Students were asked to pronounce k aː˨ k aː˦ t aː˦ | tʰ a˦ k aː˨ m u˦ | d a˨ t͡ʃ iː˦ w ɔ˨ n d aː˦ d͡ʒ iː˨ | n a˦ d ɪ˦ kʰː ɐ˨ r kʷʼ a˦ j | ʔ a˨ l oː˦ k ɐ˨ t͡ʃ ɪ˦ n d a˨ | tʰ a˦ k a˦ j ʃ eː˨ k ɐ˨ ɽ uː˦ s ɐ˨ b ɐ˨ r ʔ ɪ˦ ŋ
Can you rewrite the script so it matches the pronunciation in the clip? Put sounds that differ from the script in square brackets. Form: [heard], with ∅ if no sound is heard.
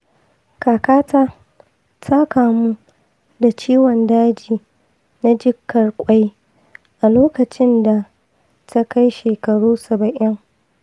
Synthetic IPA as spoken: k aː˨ k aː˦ t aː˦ | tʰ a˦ k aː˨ m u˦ | d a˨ t͡ʃ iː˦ w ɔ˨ n d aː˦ d͡ʒ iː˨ | n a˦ [d͡ʒ] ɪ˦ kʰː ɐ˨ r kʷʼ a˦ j | ʔ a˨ l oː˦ k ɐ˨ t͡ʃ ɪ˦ n d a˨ | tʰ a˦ k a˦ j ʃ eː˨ k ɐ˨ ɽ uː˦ s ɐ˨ b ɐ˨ [∅] ʔ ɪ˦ ŋ